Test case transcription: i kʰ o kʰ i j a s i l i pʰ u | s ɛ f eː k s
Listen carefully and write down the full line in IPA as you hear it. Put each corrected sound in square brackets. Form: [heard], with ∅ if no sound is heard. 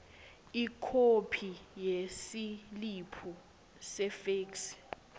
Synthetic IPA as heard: i kʰ o [pʰ] i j [e] s i l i pʰ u | s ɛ f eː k s